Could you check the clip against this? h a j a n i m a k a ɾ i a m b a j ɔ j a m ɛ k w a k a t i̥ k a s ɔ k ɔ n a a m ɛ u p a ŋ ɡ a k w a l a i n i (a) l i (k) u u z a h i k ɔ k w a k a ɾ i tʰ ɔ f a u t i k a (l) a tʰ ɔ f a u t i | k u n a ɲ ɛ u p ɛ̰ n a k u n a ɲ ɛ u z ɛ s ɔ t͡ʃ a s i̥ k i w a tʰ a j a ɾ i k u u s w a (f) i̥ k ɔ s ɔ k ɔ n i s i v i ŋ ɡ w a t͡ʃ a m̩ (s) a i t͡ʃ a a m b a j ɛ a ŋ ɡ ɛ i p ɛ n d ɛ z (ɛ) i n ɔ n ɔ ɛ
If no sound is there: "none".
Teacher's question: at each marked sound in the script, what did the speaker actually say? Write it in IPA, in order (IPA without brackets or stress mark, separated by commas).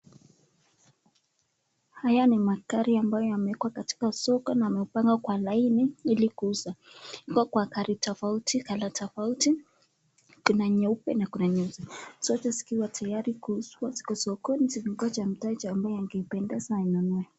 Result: i, k, l, s, t, a